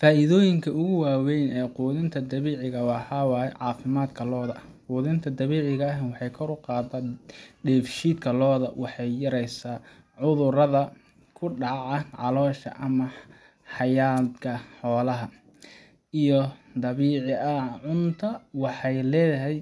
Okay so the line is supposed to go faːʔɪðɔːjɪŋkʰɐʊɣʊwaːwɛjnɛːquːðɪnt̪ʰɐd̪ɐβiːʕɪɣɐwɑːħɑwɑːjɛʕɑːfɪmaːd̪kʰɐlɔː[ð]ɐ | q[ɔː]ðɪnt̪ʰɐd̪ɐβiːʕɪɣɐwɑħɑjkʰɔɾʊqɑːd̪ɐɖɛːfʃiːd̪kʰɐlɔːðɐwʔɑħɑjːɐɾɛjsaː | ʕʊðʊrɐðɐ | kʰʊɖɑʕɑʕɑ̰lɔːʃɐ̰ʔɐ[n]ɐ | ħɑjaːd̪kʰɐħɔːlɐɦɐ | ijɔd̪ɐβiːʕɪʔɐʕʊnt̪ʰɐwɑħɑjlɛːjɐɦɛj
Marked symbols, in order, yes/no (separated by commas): yes, no, no